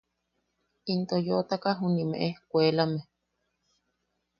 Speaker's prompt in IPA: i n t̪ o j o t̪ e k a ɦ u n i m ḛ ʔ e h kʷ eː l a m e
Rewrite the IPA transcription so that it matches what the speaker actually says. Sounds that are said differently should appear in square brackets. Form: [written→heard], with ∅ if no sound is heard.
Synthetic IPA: i n t̪ o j o t̪ [e→a] k a ɦ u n i m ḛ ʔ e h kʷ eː l a m e

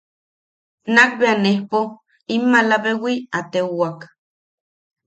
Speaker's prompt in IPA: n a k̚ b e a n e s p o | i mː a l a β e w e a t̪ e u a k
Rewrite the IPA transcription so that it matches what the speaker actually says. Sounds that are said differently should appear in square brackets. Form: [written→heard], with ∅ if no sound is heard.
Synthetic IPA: n a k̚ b e a n e [s→h] p o | i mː a l a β e w [e→i] a t̪ e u a k

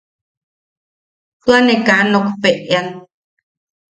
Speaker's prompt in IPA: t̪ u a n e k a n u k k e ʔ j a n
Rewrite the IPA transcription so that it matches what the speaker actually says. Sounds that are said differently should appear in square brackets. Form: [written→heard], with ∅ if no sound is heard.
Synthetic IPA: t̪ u a n e k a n [u→o] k [k→p] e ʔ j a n

